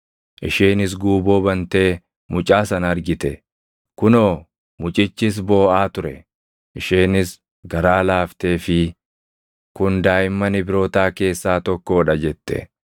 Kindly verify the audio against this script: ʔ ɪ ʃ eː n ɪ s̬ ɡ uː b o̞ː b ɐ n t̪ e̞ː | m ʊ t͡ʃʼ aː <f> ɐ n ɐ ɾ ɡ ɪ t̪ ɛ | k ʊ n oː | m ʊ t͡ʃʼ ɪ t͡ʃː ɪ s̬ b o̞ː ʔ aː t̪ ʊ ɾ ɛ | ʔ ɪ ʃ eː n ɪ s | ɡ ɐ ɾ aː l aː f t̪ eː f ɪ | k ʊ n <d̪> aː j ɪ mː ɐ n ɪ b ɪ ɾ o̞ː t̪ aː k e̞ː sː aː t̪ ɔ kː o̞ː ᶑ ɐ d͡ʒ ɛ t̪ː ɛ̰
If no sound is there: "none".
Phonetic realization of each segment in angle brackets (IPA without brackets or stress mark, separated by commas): s, d̪